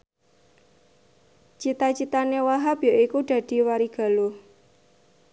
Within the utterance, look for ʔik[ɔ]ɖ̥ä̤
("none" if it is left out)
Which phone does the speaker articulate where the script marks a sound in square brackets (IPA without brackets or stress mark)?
u